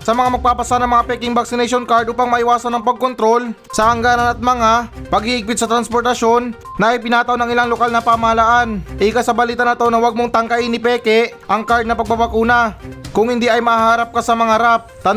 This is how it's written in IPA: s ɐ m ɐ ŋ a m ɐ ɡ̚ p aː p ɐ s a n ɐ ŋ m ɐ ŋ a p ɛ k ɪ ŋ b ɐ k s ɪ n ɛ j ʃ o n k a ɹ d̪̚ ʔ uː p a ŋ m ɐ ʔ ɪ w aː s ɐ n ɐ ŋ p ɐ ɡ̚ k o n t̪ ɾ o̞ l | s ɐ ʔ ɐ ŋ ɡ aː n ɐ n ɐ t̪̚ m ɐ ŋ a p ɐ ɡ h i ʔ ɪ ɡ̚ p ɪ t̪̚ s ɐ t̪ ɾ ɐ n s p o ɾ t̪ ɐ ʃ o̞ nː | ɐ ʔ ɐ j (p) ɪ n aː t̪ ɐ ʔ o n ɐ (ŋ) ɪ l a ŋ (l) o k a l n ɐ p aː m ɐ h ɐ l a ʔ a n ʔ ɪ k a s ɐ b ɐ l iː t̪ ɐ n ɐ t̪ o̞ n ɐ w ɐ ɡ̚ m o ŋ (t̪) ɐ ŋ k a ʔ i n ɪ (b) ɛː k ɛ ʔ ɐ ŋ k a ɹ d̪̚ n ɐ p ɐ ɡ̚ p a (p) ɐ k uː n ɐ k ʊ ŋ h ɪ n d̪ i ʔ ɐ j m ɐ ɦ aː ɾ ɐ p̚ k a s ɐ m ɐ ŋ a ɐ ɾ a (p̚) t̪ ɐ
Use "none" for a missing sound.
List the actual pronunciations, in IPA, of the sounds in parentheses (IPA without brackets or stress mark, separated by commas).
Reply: p, ŋ, l, t̪, p, b, p̚